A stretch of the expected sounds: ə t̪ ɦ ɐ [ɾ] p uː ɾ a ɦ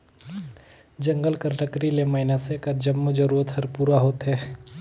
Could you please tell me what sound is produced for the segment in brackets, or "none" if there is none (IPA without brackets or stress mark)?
ɾ